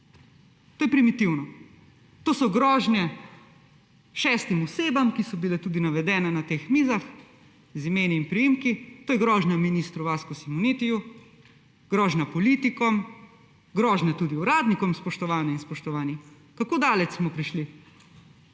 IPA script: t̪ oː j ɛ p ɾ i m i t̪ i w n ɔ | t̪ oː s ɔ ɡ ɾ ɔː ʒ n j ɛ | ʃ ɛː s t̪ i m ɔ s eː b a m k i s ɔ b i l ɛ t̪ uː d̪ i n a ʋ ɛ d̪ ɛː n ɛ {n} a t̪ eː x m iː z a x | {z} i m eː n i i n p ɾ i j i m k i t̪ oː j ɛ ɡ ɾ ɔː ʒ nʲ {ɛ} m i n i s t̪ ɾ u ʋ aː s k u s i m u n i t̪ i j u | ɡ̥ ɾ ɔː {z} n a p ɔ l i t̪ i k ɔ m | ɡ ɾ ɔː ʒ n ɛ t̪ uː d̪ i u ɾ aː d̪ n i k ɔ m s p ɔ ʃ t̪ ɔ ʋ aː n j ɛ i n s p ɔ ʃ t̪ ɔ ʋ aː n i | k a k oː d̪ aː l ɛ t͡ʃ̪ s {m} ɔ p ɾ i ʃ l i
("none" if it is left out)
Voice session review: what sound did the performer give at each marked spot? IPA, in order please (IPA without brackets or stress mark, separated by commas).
n, z, a, ʒ, m